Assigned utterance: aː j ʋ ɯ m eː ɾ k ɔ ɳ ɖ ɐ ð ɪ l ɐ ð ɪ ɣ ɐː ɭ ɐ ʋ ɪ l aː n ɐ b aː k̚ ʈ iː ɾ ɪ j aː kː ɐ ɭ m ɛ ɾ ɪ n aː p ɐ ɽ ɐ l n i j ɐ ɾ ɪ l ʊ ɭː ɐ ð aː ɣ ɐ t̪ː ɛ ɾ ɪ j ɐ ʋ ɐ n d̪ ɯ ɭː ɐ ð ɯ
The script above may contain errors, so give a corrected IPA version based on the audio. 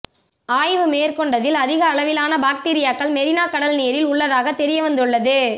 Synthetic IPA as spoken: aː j ʋ ɯ m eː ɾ k ɔ ɳ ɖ ɐ ð ɪ l ɐ ð ɪ ɣ ɐː ɭ ɐ ʋ ɪ l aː n ɐ b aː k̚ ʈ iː ɾ ɪ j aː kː ɐ ɭ m ɛ ɾ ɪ n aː k ɐ ɽ ɐ l n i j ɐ ɾ ɪ l ʊ ɭː ɐ ð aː ɣ ɐ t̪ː ɛ ɾ ɪ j ɐ ʋ ɐ n d̪ ɯ ɭː ɐ ð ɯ